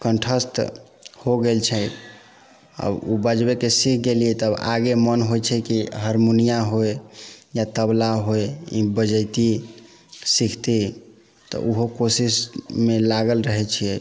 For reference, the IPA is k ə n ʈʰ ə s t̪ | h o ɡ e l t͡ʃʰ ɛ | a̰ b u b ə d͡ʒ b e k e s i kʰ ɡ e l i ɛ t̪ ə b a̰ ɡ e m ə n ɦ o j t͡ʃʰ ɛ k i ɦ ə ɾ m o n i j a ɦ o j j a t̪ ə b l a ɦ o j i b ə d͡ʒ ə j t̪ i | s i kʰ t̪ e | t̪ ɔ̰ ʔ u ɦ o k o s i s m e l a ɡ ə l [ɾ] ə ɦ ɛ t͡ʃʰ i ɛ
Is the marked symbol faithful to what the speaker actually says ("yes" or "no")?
yes